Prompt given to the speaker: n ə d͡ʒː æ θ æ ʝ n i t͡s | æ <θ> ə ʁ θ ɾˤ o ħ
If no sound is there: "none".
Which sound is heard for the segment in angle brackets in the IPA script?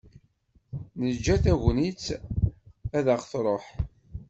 ð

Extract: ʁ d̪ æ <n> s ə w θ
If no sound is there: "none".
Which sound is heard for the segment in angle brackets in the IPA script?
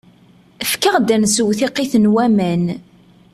n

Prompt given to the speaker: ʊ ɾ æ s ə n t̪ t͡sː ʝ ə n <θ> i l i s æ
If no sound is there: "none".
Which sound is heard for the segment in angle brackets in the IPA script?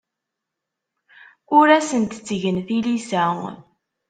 θ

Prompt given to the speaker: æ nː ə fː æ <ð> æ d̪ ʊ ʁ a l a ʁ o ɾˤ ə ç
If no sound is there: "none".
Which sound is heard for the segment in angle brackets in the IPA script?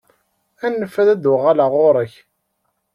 ð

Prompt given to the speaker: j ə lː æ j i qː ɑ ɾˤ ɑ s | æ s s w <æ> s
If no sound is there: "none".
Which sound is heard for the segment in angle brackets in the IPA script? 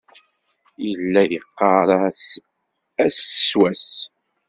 æ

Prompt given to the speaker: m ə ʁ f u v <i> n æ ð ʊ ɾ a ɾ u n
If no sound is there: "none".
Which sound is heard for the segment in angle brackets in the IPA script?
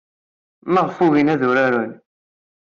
i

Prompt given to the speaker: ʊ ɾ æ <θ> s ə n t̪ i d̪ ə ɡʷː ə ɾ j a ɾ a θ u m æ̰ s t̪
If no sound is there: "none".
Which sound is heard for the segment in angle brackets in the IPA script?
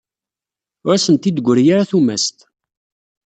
none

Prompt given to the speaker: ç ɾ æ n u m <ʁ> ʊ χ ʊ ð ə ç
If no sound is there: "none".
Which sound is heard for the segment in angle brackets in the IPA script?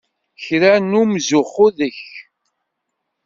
z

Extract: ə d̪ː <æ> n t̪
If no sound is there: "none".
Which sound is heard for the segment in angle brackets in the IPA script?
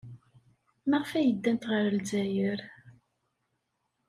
æ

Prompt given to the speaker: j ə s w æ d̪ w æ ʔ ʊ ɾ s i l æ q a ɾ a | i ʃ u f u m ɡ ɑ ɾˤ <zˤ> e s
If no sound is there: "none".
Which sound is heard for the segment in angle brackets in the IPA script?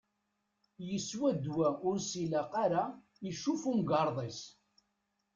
ðˤ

